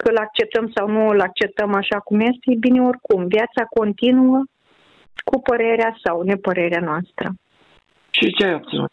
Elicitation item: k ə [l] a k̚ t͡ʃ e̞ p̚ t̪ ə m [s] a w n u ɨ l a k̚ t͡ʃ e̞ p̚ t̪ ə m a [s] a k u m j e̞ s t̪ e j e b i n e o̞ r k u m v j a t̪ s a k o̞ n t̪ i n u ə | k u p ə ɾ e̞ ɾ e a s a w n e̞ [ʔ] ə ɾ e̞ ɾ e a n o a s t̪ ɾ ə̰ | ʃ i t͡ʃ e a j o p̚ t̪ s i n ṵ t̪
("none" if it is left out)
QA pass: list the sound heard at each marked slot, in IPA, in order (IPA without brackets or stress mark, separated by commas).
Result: l, s, ʃ, p